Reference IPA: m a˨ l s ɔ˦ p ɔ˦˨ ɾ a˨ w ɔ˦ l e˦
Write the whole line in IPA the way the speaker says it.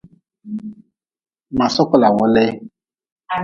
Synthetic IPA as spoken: m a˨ s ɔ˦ k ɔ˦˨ l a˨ w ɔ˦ l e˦